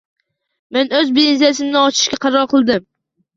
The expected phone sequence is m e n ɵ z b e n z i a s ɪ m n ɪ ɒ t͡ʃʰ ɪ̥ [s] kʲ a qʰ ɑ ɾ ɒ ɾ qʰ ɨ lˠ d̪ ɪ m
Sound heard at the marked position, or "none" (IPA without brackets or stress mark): ʃ